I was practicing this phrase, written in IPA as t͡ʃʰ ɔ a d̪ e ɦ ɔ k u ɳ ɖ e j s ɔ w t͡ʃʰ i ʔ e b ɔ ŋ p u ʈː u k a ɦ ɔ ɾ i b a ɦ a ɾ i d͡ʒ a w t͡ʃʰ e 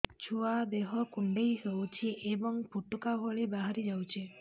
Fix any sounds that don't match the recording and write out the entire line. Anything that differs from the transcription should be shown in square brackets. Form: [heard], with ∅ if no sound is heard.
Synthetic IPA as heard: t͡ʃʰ [u] a d̪ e ɦ ɔ k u ɳ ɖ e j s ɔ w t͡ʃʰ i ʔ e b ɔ ŋ p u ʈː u k a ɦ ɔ [ɭ] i b a ɦ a ɾ i d͡ʒ a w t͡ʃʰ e